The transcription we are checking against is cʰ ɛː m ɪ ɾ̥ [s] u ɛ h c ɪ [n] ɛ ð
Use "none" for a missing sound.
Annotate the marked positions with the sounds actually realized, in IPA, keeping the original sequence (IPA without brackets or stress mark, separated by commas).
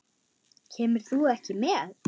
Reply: θ, m